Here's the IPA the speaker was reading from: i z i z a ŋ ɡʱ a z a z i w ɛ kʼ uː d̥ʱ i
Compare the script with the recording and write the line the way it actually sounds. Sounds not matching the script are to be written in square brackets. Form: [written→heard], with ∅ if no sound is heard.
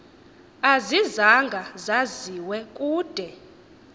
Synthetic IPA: [i→a] z i z a ŋ ɡʱ a z a z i w ɛ kʼ uː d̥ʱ [i→ɛ]